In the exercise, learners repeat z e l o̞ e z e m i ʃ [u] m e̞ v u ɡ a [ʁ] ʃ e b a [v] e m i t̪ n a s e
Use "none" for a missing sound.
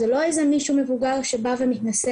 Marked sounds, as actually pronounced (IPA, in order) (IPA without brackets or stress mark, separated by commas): u, ʁ, v